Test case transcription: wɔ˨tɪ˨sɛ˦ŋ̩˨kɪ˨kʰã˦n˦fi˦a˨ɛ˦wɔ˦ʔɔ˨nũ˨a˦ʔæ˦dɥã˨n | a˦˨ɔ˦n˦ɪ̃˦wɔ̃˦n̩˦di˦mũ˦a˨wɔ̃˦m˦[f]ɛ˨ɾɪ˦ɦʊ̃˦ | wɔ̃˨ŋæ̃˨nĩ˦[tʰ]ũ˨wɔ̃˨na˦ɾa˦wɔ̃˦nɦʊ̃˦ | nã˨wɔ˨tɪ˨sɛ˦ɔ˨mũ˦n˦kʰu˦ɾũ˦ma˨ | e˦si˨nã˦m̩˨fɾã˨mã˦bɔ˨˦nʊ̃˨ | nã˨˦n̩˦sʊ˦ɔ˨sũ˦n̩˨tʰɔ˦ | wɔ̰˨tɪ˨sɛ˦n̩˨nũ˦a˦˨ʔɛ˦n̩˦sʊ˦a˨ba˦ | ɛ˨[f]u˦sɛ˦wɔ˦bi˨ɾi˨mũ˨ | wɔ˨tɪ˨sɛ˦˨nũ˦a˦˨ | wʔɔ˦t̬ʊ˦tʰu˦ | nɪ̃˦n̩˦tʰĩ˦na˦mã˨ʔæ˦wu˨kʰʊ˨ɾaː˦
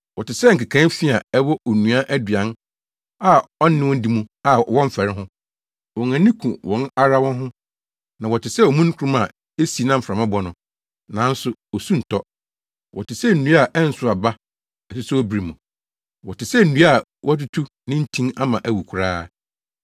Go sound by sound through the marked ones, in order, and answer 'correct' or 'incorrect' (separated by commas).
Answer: correct, incorrect, incorrect